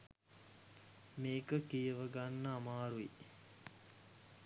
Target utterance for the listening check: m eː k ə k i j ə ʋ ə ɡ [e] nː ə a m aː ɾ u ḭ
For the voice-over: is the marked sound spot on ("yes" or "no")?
no